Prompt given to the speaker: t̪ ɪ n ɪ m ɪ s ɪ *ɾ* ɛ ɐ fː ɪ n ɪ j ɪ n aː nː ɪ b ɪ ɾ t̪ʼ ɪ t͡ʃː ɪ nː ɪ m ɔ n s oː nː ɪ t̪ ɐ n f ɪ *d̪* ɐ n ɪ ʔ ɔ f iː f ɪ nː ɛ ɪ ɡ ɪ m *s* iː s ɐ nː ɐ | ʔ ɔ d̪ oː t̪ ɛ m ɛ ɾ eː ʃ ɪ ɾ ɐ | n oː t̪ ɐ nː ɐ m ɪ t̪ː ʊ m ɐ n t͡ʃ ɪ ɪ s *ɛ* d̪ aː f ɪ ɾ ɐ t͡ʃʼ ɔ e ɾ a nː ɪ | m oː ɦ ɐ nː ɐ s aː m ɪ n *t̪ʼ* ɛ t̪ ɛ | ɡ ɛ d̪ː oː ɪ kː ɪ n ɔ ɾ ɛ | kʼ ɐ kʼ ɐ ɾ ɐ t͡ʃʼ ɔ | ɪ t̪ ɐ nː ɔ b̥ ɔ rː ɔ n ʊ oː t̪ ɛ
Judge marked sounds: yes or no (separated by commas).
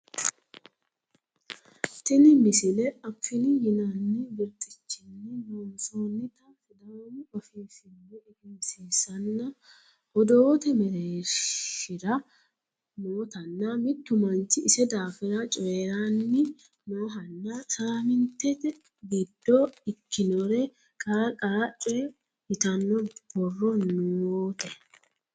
no, yes, yes, yes, no